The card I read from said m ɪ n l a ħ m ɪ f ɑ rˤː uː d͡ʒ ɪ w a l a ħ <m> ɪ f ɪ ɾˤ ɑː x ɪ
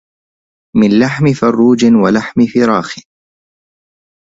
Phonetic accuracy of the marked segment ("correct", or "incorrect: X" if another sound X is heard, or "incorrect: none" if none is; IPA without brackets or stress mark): correct